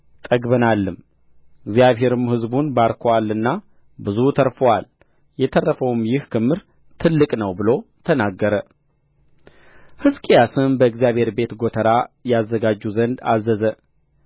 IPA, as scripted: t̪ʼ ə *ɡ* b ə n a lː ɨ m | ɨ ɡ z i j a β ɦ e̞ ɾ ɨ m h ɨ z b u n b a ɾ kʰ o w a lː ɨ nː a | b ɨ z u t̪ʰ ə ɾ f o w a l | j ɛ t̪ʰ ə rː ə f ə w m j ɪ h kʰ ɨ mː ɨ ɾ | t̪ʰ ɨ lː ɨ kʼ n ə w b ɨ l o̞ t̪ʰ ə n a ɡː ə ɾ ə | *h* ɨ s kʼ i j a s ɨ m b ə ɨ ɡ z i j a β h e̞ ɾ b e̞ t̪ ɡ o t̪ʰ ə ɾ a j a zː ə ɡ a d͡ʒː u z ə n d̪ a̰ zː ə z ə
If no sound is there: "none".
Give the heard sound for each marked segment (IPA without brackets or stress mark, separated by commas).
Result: ɡ, h